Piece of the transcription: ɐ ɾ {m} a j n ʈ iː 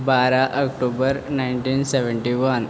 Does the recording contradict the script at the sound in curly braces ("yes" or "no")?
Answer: yes